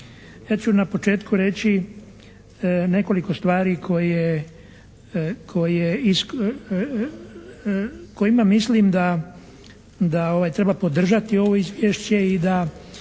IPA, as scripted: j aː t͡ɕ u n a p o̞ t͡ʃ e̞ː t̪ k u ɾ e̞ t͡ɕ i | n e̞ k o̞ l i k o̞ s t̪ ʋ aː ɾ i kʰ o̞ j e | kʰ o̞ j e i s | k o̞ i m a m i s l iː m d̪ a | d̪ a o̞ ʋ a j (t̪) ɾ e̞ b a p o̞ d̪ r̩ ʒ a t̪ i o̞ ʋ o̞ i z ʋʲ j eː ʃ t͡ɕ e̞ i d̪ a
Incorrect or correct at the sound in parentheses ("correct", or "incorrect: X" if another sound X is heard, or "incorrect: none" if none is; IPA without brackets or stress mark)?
correct